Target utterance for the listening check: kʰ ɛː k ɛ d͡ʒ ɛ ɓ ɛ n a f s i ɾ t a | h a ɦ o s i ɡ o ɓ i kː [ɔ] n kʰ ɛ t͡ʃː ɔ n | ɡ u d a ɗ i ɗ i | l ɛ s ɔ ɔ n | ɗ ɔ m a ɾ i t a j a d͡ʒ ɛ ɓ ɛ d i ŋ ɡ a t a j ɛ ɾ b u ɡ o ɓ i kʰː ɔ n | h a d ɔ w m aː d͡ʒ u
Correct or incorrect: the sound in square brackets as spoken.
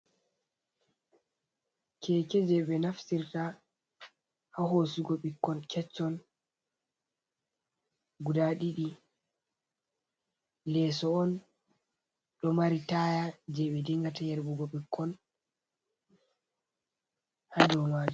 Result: correct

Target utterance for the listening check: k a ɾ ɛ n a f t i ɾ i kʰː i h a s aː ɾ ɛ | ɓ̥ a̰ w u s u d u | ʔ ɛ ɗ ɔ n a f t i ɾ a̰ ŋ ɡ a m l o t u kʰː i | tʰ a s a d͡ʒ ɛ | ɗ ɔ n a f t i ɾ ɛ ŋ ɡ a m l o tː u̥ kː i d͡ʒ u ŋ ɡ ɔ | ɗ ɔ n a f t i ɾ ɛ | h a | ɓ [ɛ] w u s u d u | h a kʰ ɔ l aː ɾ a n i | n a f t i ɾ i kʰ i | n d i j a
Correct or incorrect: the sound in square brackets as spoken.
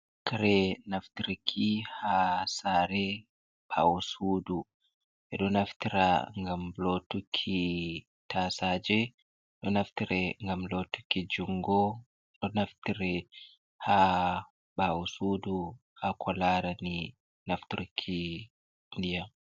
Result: incorrect: a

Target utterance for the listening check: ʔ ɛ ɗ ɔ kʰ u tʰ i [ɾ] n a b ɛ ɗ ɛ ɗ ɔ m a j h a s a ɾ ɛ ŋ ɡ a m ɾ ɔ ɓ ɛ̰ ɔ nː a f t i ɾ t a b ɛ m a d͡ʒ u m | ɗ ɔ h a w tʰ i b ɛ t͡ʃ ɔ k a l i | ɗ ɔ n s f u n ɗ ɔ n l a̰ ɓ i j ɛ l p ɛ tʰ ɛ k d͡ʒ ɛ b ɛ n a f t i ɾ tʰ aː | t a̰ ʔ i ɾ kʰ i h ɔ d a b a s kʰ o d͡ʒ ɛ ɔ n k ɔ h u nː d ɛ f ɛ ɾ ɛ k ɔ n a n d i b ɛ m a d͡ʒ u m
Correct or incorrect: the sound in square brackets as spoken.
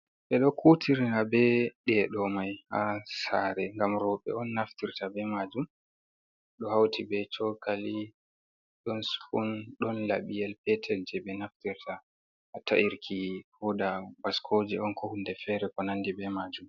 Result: correct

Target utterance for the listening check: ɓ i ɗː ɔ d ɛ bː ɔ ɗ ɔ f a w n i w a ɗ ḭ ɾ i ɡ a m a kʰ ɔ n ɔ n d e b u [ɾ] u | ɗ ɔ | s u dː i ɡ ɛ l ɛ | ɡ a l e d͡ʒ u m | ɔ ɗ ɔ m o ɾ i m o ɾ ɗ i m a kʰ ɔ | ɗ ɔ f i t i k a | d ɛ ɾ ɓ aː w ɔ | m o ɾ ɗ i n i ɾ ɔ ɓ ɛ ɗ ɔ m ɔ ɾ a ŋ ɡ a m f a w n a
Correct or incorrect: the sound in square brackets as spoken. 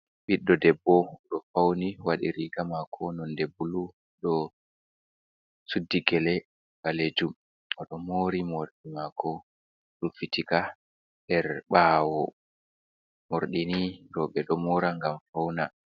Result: incorrect: l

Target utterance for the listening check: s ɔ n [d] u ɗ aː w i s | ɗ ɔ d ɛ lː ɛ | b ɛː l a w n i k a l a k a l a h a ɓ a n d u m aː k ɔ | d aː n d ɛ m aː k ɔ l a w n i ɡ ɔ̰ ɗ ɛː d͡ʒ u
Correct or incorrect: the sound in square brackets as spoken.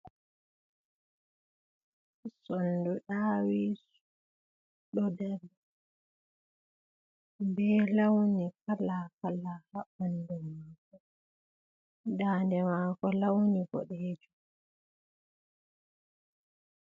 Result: correct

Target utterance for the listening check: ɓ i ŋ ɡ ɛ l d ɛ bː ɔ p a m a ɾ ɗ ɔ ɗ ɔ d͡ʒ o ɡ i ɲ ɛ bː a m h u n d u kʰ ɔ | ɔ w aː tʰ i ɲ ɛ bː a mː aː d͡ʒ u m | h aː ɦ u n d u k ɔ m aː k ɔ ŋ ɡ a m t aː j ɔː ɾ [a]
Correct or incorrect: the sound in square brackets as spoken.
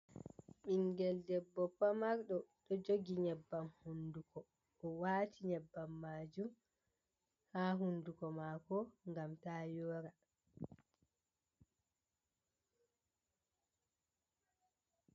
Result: correct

